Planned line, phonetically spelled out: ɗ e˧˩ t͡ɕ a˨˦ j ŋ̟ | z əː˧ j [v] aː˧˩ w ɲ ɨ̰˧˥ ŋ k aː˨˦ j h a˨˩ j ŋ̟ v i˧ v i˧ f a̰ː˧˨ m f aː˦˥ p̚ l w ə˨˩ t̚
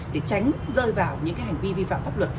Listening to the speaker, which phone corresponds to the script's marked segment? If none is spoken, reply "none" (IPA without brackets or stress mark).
v